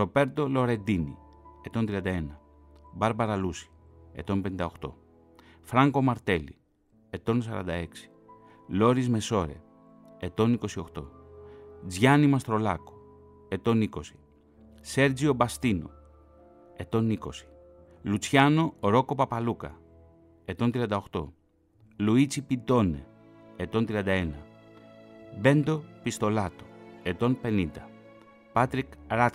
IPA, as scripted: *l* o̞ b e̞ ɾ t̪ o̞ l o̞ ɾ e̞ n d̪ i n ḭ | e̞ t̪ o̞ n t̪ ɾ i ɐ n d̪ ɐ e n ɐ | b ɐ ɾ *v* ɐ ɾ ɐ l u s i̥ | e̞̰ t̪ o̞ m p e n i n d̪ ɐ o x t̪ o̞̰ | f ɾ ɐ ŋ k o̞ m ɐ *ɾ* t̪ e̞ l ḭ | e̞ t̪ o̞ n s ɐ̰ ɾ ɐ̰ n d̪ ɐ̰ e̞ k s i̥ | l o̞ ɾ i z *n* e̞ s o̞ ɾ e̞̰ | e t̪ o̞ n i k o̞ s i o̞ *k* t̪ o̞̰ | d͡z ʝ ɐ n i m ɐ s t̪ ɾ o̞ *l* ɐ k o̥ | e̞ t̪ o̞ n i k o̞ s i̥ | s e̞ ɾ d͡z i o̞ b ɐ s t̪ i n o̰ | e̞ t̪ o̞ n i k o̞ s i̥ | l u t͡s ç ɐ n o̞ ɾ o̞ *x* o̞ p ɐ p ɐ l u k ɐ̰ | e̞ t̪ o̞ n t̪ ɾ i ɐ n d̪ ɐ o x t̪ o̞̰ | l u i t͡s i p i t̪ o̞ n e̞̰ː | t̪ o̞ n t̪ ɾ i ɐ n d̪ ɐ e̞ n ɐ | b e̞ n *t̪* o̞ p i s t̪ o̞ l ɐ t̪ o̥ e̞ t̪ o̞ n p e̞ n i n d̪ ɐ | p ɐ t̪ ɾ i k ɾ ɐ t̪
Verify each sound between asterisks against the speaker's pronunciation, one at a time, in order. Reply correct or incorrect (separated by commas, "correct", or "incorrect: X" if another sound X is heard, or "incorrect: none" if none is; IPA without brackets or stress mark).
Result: incorrect: ɾ, incorrect: b, correct, incorrect: m, incorrect: x, correct, incorrect: k, incorrect: d̪